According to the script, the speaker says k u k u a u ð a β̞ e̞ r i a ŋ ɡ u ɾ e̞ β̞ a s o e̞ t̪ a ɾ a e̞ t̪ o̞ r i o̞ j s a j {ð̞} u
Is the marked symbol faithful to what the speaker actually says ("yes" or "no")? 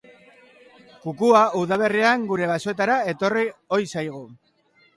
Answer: no